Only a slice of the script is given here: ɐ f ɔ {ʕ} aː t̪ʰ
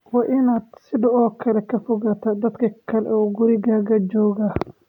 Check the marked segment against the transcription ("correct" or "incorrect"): incorrect